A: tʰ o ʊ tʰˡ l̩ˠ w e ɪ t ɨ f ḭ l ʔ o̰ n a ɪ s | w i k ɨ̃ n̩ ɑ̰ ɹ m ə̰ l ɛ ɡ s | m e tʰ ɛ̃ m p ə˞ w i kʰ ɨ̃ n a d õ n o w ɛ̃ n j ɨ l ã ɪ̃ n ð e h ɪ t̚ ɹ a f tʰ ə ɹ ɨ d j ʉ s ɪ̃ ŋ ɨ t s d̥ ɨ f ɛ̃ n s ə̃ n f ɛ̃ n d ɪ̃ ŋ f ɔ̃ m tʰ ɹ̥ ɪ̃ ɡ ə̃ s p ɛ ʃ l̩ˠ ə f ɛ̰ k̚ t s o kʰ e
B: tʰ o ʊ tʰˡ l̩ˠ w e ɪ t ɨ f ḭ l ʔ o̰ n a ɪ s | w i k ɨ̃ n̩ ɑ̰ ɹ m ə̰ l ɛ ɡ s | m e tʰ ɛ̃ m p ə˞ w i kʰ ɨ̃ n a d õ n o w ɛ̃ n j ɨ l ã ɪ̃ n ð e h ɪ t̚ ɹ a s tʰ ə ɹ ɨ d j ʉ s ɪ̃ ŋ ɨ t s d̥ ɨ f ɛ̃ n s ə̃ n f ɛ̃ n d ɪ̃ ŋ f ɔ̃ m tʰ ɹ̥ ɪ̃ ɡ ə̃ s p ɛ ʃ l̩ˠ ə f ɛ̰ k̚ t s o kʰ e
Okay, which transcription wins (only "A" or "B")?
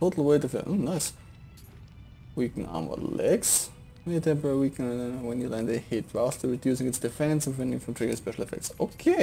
B